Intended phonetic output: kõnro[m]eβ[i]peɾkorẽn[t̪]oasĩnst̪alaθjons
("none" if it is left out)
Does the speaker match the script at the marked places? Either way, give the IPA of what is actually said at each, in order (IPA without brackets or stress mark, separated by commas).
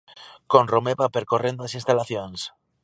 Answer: m, a, d̪